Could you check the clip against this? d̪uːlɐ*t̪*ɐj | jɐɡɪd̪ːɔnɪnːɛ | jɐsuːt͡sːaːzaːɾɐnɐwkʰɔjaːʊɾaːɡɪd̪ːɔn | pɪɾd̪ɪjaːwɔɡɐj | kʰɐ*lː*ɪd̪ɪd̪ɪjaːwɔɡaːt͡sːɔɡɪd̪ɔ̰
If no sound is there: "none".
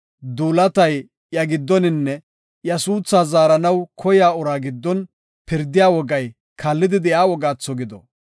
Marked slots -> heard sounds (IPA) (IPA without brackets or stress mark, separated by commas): t̪, lː